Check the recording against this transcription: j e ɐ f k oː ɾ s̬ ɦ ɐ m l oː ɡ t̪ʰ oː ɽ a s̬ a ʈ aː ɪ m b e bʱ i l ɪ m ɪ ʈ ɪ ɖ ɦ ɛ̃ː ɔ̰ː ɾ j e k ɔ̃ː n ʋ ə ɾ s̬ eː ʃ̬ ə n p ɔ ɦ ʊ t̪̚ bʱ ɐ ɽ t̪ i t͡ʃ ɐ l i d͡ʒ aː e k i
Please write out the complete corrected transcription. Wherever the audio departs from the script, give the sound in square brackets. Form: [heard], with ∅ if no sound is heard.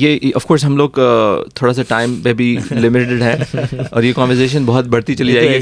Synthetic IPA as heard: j e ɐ f k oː ɾ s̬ ɦ ɐ m l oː ɡ t̪ʰ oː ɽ a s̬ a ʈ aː ɪ m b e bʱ i l ɪ m ɪ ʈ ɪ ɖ ɦ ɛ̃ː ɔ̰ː ɾ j e k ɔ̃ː n ʋ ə ɾ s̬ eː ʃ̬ ə n [b] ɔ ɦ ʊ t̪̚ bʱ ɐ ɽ t̪ i t͡ʃ ɐ l i d͡ʒ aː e [ɡ] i